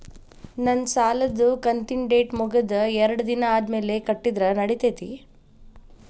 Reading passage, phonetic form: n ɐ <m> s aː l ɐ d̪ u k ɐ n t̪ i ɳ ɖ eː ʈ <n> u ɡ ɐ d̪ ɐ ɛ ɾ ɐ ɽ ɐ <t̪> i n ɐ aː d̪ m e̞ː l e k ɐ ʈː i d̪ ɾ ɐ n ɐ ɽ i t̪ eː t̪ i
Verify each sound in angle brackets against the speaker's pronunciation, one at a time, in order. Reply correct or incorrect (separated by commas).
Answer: incorrect, incorrect, incorrect